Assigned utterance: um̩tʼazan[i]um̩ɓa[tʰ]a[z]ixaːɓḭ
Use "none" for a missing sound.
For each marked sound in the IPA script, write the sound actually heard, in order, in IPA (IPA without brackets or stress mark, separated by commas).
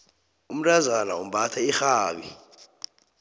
a, tʰ, none